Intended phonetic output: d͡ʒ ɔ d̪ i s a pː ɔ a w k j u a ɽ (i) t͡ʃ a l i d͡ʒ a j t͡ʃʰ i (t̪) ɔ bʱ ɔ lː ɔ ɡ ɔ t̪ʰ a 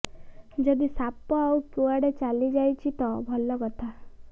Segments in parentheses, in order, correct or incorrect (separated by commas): incorrect, correct